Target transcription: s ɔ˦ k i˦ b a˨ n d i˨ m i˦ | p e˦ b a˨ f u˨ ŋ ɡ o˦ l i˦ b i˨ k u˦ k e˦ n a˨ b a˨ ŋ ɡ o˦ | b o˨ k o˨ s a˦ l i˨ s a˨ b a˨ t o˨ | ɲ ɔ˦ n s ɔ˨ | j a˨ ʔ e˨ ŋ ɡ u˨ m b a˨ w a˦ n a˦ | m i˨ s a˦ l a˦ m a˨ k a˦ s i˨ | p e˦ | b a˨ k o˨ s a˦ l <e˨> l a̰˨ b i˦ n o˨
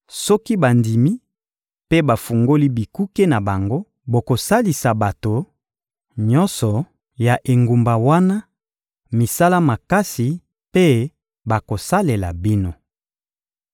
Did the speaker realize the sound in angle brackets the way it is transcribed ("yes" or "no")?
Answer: yes